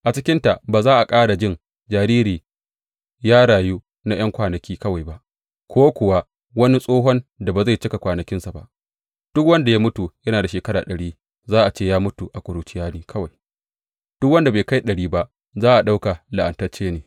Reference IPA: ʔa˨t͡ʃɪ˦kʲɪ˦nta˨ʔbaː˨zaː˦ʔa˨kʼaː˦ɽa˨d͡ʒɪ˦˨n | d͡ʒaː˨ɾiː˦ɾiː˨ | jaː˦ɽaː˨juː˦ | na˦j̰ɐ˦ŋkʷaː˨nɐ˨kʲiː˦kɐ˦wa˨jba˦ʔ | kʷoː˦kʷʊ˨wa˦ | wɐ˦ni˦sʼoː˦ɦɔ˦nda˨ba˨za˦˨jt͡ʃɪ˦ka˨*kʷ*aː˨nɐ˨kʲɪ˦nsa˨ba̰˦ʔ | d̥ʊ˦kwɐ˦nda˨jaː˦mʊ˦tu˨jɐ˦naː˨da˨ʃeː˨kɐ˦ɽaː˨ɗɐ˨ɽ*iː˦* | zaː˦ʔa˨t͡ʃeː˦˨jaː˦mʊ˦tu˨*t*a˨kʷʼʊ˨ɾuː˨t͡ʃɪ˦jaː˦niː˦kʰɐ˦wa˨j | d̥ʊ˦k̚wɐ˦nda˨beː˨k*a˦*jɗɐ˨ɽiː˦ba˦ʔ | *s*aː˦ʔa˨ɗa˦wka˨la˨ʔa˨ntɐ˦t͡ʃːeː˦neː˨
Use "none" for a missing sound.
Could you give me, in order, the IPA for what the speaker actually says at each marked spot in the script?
kʷ, iː˦, ʔ, a˦, z

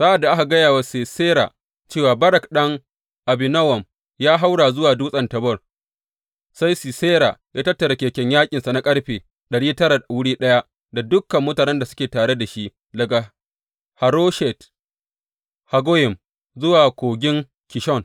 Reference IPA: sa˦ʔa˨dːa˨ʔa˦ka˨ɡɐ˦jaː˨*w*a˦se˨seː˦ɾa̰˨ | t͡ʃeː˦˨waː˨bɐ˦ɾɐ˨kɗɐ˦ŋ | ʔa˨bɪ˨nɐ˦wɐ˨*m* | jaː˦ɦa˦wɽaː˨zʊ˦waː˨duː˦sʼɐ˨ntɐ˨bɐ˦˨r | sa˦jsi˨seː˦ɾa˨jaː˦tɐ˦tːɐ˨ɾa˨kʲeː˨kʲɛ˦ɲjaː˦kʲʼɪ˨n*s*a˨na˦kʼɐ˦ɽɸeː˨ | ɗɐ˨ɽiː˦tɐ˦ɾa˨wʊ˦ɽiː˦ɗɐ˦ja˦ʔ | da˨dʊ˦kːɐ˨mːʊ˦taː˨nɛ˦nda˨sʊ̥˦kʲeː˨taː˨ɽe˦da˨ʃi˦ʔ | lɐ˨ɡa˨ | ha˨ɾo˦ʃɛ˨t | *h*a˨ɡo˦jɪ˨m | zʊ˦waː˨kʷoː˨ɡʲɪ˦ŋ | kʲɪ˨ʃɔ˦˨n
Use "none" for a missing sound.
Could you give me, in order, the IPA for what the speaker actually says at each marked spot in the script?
w, m, s, h

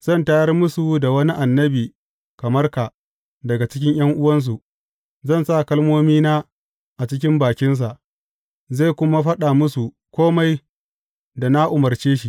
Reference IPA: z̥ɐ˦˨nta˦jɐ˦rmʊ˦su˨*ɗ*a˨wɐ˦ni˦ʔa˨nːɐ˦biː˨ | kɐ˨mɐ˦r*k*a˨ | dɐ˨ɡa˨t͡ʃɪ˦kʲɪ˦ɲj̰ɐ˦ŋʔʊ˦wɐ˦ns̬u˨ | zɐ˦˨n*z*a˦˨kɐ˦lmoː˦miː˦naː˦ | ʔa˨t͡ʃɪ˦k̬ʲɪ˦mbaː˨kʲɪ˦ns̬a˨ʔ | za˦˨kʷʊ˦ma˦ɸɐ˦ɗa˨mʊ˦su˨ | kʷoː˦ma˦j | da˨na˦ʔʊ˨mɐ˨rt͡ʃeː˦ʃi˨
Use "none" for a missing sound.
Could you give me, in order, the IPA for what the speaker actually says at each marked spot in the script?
d, k, s

